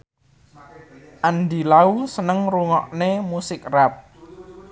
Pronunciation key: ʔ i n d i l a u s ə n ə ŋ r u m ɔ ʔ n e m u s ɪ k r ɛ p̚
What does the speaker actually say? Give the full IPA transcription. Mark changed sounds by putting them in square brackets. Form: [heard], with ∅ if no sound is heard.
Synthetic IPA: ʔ [a] n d i l a u s ə n ə ŋ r u [ŋ] ɔ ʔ n e m u s ɪ k r [a] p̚